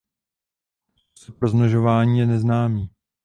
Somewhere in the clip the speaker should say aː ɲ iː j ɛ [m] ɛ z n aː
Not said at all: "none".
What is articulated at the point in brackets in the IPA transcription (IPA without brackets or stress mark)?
n